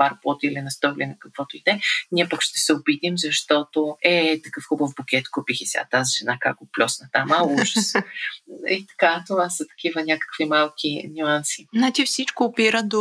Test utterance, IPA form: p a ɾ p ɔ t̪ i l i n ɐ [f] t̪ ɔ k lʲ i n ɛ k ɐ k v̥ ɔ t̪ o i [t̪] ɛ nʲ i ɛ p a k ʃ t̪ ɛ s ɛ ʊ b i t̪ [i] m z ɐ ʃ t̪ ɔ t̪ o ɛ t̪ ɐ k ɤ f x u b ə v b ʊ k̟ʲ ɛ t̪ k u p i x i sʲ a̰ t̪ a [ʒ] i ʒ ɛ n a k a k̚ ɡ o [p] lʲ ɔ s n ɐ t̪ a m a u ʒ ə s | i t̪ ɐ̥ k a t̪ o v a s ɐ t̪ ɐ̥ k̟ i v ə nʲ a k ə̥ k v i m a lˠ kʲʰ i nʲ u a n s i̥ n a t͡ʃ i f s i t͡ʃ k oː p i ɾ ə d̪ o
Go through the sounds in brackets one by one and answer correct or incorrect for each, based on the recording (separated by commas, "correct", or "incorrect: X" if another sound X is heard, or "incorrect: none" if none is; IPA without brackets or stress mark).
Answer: incorrect: s, incorrect: d̪, correct, incorrect: z, correct